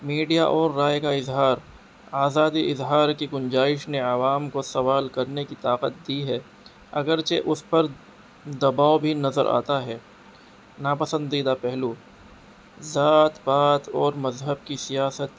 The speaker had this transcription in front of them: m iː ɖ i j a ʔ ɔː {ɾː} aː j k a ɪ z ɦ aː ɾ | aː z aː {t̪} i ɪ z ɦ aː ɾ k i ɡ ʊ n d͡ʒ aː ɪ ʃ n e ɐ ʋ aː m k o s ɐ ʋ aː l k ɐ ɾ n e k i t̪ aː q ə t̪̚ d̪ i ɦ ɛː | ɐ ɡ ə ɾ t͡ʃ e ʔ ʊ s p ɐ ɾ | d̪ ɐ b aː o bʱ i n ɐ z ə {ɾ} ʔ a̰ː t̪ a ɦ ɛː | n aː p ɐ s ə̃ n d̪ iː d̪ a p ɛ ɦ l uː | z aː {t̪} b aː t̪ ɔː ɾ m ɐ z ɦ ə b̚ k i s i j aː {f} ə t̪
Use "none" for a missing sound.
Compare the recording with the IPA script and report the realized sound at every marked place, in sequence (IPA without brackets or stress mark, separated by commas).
ɾː, d̪, ɾ, t̪, s